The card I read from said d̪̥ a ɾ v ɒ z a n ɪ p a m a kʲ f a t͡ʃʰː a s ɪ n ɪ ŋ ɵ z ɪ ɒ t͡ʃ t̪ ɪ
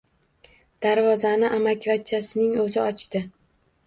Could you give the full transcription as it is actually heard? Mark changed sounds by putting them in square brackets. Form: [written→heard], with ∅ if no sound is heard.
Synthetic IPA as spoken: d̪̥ a ɾ v ɒ z a n ɪ [p→ʔ] a m a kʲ [f→v] a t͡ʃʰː a s ɪ n ɪ ŋ ɵ z ɪ ɒ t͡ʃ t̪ ɪ